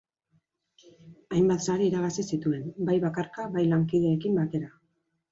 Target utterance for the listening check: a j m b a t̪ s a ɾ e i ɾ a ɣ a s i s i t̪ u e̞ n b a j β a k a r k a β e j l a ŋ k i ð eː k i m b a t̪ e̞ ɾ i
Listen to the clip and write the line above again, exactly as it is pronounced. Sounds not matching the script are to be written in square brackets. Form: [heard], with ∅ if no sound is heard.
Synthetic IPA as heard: a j m b a t̪ s a ɾ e i ɾ a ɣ a s i s i t̪ u e̞ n b a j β a k a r k a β [a] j l a ŋ k i ð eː k i m b a t̪ e̞ ɾ [a]

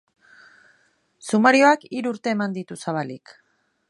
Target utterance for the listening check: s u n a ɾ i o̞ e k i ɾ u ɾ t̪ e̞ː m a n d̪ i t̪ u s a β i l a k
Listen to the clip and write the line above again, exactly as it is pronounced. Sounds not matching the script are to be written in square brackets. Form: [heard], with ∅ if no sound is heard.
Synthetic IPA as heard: s u [m] a ɾ i o̞ [a] k i ɾ u ɾ t̪ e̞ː m a n d̪ i t̪ u s a β [a] l [i] k

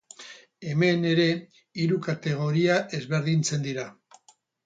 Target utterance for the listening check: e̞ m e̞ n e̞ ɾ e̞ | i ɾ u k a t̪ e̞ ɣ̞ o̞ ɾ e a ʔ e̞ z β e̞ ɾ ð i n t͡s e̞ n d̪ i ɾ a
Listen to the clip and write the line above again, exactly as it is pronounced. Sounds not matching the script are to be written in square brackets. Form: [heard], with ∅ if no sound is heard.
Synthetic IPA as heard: e̞ m e̞ n e̞ ɾ e̞ | i ɾ u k a t̪ e̞ ɣ̞ o̞ ɾ [i] a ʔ e̞ z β e̞ ɾ ð i n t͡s e̞ n d̪ i ɾ a

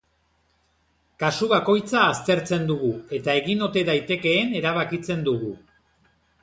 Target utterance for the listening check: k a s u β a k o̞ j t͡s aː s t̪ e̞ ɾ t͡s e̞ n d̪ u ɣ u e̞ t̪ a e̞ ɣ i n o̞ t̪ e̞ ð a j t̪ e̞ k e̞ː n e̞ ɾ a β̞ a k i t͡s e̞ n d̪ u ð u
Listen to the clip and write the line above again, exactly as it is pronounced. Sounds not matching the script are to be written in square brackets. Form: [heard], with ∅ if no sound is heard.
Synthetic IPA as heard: k a s u β a k o̞ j t͡s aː s t̪ e̞ ɾ t͡s e̞ n d̪ u ɣ u e̞ t̪ a e̞ ɣ i n o̞ t̪ e̞ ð a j t̪ e̞ k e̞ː n e̞ ɾ a β̞ a k i t͡s e̞ n d̪ u [ɣ] u

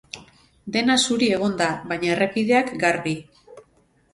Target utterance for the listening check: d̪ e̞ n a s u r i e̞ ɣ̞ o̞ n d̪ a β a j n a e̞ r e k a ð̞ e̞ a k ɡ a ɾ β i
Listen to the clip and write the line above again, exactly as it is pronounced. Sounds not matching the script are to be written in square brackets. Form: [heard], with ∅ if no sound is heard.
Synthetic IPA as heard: d̪ e̞ n a s u [ɾ] i e̞ ɣ̞ o̞ n d̪ a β a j [ɲ] a e̞ r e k [i] ð̞ e̞ a k ɡ a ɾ β i

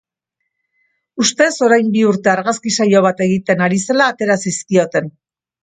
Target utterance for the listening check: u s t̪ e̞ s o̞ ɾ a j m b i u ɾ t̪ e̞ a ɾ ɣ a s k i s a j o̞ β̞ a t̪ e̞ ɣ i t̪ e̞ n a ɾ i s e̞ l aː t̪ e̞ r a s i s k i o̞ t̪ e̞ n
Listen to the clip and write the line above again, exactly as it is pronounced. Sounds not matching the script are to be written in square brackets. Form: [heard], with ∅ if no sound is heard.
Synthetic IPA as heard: u s t̪ e̞ s o̞ ɾ a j m b i u ɾ t̪ e̞ a ɾ ɣ a s k i s a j o̞ β̞ a t̪ e̞ ɣ i t̪ e̞ n a ɾ i s e̞ l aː t̪ e̞ [ɾ] a s i s k i o̞ t̪ e̞ n

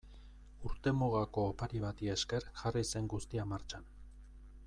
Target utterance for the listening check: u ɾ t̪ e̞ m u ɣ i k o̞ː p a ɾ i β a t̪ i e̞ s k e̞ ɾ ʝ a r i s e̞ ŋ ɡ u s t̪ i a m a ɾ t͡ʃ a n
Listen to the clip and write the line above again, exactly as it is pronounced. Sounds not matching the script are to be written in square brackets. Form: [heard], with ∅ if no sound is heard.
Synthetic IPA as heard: u ɾ t̪ e̞ m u ɣ [a] k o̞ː p a ɾ i β a t̪ i e̞ s k e̞ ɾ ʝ a r i s e̞ ŋ ɡ u s t̪ i a m a ɾ t͡ʃ a n

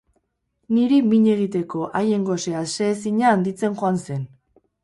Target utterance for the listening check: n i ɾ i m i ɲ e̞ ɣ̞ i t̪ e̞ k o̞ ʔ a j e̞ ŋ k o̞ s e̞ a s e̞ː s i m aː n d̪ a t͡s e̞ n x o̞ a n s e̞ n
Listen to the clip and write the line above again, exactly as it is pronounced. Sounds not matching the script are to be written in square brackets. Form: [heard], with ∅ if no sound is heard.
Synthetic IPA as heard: n i ɾ i m i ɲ e̞ ɣ̞ i t̪ e̞ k o̞ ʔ a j e̞ ŋ [ɡ] o̞ s e̞ a s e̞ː s i [ɲ] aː n d̪ [i] t͡s e̞ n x o̞ a n s e̞ n

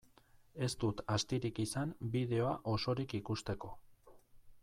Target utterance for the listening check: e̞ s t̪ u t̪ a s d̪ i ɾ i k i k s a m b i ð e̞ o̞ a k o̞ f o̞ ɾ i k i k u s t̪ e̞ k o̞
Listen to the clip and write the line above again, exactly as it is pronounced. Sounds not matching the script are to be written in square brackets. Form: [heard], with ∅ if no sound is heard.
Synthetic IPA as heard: e̞ s t̪ u t̪ a s [t̪] i ɾ i k i [∅] s a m b i ð e̞ o̞ a [ʔ] o̞ [s] o̞ ɾ i k i k u s t̪ e̞ k o̞

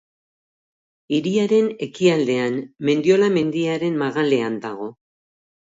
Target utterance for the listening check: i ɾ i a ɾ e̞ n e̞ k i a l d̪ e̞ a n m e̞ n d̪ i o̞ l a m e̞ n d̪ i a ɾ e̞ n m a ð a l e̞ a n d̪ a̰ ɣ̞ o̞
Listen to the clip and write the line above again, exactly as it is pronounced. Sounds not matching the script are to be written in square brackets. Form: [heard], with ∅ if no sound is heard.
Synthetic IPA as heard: i ɾ i a ɾ e̞ n e̞ k i a l d̪ e̞ a n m e̞ n d̪ i o̞ l a m e̞ n d̪ i a ɾ e̞ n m a [ɣ] a l e̞ a n d̪ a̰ ɣ̞ o̞

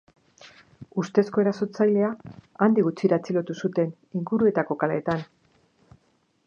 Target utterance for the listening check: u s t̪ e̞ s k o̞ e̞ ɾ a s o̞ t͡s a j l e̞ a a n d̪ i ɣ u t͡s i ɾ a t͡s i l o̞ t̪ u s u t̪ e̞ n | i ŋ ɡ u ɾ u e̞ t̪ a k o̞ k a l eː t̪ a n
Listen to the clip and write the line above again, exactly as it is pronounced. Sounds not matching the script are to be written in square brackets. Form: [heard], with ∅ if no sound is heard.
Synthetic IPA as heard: u s t̪ e̞ s k o̞ e̞ ɾ a s o̞ t͡s a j l e̞ a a n d̪ i ɣ u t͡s i ɾ a t͡s i l o̞ t̪ u s u t̪ e̞ n | i ŋ ɡ u ɾ u e̞ t̪ a k o̞ k a l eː t̪ a n

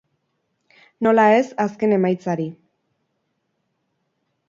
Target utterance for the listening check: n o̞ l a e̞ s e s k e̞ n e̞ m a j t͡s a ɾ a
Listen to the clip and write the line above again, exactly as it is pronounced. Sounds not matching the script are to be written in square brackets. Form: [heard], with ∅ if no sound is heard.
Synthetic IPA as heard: n o̞ l a e̞ s [a] s k e̞ n e̞ m a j t͡s a ɾ [i]

